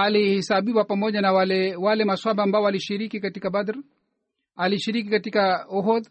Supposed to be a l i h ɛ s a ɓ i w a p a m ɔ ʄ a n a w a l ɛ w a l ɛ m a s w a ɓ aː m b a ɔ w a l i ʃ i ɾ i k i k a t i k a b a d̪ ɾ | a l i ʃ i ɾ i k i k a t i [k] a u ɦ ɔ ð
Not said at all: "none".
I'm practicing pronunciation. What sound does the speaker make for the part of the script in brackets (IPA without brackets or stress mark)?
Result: k